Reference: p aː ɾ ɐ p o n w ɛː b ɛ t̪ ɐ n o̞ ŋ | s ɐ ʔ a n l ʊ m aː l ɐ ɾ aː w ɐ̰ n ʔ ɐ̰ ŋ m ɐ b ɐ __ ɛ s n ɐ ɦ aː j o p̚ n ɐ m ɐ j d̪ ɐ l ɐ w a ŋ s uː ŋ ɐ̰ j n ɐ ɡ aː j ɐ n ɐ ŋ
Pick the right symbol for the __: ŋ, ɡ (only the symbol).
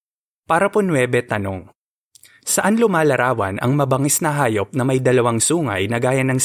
ŋ